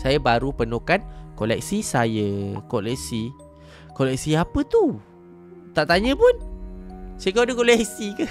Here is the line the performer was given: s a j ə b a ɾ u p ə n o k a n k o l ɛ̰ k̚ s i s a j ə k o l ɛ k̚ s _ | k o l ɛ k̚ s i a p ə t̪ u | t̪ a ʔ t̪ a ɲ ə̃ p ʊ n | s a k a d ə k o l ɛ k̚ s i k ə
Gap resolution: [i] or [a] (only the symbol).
i